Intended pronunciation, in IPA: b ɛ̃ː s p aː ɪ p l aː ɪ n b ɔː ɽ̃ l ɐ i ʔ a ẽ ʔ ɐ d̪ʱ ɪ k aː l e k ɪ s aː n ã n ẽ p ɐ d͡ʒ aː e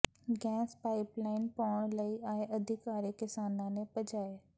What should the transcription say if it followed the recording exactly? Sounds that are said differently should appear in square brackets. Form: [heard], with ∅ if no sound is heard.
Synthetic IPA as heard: [ɡ] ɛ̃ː s p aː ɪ p l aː ɪ n [p] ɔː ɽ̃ l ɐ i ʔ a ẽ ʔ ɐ d̪ʱ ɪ k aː [ɾ] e k ɪ s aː n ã n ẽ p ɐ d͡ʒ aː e